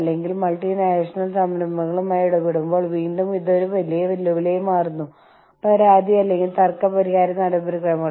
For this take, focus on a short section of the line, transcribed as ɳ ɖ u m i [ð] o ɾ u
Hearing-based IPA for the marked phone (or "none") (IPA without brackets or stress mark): ð